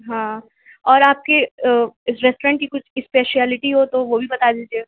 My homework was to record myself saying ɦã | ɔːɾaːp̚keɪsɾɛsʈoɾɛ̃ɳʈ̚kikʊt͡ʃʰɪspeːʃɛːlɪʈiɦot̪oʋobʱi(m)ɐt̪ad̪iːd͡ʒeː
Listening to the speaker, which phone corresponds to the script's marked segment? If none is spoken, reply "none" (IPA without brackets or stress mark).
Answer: b